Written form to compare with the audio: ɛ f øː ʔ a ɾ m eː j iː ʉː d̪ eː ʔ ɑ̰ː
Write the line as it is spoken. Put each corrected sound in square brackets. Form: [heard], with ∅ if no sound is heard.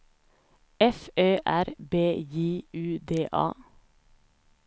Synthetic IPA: ɛ f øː ʔ [æ] ɾ [b] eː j iː ʉː d̪ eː ʔ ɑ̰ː